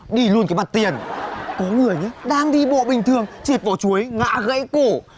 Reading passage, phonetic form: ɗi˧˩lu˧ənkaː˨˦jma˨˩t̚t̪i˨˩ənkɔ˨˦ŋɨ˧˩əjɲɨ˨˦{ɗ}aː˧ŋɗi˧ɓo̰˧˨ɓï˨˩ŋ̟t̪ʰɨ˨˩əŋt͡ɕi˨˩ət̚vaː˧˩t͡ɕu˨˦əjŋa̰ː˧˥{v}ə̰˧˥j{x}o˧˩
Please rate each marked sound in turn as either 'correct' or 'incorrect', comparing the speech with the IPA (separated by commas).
correct, incorrect, incorrect